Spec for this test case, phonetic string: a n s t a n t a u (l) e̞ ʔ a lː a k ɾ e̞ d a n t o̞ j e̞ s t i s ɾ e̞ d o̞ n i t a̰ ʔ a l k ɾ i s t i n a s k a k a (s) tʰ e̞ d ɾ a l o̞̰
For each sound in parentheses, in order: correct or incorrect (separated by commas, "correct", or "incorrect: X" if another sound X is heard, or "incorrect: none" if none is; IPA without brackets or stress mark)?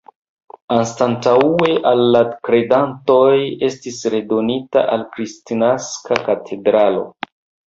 incorrect: none, incorrect: none